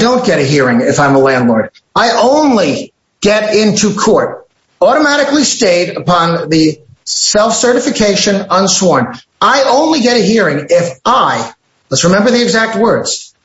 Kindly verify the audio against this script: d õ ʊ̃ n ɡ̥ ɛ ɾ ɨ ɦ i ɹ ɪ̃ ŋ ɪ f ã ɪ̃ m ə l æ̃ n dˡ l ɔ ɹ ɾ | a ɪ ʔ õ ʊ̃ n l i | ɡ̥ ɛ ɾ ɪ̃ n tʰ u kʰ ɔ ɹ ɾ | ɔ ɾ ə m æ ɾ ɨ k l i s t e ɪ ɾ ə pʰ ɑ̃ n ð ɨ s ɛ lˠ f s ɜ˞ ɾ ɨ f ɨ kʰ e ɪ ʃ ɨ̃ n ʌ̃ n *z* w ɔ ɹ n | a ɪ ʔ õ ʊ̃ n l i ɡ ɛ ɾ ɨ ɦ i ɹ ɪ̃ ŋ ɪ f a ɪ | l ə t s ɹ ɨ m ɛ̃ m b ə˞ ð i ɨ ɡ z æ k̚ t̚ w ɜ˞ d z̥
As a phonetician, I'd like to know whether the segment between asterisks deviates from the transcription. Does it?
yes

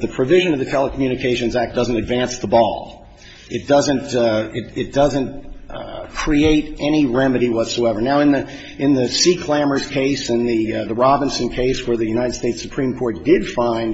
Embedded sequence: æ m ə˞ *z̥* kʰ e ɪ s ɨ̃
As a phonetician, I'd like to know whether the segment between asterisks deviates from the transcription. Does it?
no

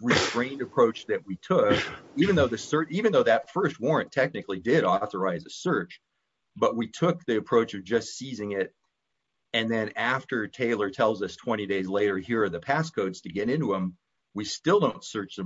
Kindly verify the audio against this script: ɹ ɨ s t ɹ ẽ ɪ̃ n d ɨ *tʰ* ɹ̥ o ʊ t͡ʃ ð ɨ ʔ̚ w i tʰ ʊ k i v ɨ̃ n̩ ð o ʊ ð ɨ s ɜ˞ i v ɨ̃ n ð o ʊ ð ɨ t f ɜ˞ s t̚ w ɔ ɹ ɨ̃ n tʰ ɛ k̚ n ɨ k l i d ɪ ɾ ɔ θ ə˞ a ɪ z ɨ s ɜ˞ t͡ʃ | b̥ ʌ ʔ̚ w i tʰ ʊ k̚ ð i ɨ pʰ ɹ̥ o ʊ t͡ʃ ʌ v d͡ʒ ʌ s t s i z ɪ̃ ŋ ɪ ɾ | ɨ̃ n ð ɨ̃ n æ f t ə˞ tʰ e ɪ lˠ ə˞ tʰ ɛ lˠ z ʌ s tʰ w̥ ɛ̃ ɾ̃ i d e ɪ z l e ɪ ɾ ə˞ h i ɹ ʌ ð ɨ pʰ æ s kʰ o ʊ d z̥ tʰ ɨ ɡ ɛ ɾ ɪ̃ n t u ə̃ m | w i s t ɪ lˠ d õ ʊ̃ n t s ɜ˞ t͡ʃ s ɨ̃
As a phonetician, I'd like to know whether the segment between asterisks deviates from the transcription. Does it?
yes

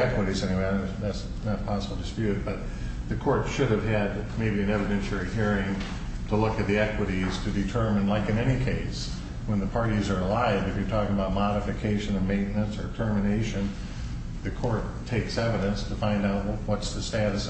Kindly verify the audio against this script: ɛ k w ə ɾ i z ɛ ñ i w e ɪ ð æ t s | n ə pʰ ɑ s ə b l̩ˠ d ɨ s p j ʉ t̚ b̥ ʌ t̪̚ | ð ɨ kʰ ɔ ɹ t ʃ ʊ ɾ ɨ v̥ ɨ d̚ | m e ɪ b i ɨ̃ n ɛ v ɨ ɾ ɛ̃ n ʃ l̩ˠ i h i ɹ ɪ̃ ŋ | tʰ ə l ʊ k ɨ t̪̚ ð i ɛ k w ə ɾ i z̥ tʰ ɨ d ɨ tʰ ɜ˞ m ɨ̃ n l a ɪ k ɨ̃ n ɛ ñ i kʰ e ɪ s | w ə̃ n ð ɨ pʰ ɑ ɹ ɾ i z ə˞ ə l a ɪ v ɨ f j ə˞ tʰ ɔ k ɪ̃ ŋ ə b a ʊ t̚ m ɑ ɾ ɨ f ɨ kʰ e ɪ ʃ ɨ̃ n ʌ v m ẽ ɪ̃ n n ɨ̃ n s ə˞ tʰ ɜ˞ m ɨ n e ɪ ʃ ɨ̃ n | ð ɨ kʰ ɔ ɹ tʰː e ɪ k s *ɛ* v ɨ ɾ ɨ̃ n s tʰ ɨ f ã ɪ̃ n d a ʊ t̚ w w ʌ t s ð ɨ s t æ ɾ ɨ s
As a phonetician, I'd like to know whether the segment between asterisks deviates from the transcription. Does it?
no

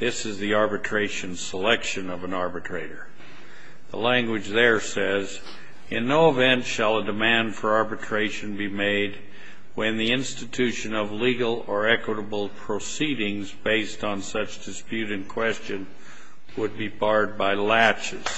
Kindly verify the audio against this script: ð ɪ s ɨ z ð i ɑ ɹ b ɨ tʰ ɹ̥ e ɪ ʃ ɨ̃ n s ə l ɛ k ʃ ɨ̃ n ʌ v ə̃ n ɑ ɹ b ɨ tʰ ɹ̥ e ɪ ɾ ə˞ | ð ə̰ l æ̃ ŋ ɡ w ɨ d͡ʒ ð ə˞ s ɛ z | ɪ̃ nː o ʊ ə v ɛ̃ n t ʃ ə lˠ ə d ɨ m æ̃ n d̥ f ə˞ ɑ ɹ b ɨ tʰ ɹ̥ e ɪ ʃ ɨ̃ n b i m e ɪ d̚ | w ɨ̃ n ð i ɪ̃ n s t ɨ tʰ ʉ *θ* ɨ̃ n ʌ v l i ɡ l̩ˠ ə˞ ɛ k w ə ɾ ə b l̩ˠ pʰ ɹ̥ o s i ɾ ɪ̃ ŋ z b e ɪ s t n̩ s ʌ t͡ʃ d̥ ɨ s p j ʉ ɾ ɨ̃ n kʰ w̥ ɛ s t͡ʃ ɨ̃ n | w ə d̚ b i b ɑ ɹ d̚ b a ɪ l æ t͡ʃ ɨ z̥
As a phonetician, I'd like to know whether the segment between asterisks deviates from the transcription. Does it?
yes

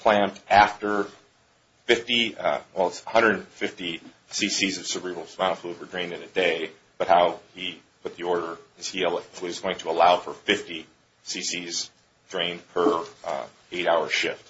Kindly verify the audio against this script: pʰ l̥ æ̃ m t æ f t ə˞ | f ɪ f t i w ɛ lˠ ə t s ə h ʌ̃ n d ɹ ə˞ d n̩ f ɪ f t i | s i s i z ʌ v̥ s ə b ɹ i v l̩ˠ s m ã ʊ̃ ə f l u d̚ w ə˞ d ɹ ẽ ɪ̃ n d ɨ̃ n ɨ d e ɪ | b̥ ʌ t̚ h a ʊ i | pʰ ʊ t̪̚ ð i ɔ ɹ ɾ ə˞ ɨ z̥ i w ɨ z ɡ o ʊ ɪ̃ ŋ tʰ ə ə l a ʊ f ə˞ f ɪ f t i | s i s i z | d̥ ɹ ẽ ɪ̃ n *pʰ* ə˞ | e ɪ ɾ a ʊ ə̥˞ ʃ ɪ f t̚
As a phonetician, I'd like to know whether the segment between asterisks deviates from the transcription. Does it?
no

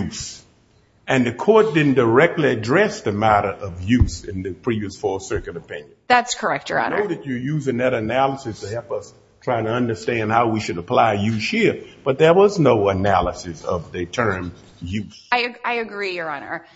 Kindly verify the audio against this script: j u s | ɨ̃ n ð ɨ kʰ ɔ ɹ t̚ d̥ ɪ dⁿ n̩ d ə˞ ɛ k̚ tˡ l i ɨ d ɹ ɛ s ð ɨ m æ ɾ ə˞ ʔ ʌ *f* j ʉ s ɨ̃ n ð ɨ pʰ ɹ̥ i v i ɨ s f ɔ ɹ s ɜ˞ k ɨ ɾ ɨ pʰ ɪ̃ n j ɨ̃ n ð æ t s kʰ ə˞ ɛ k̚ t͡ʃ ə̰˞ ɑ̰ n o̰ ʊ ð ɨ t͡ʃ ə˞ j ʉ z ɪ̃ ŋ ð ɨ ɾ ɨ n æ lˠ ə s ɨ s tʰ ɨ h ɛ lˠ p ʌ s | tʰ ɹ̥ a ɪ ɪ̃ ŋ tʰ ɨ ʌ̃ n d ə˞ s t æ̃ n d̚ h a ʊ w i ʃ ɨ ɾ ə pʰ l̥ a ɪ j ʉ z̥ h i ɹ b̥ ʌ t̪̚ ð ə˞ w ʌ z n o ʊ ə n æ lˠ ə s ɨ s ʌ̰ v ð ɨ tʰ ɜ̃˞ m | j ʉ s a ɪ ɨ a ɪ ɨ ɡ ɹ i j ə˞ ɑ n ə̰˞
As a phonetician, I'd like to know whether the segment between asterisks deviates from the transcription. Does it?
yes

